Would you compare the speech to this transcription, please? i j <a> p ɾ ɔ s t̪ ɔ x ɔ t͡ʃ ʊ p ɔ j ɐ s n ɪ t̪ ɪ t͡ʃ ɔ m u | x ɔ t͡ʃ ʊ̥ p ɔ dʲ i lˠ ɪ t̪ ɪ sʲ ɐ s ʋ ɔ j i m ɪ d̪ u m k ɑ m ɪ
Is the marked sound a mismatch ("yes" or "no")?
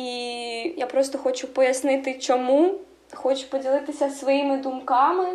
no